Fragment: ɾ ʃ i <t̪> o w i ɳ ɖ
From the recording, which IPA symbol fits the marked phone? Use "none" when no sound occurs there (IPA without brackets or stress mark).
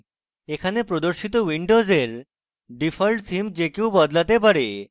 t̪